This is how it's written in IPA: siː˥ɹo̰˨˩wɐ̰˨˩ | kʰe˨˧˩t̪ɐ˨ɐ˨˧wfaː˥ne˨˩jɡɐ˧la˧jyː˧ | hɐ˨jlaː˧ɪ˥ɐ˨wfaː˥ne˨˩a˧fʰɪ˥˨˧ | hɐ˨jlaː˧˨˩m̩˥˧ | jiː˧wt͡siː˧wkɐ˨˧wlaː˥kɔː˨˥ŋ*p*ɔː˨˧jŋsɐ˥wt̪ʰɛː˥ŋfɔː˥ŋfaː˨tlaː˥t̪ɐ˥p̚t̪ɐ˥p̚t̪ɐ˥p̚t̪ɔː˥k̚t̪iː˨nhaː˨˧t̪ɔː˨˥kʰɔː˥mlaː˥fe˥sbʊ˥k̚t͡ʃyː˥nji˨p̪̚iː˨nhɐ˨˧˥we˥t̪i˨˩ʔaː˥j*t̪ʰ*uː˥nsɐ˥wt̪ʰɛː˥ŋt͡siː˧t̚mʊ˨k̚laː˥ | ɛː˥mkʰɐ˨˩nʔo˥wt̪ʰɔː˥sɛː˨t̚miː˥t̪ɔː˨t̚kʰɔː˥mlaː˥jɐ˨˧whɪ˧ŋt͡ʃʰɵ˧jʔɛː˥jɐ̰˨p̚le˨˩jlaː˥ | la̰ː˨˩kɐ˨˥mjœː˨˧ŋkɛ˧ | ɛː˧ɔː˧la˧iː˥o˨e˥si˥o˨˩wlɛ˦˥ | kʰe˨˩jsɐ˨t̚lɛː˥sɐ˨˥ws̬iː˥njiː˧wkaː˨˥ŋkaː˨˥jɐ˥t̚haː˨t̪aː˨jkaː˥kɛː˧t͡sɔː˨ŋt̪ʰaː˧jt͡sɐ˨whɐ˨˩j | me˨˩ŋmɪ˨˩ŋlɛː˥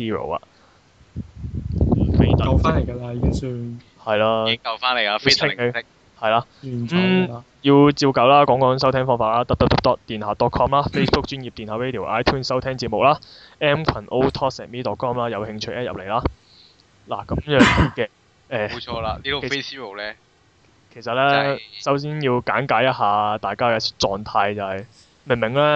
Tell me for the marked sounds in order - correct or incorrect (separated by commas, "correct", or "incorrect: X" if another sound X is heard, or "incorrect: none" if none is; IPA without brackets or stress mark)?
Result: incorrect: k, correct